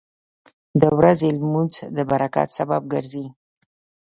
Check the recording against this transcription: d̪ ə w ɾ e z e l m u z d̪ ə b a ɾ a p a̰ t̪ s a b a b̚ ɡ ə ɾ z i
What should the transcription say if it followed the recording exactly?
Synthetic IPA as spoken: d̪ ə w ɾ a z e l m u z d̪ ə b a ɾ a k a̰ t̪ s a b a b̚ ɡ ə ɾ z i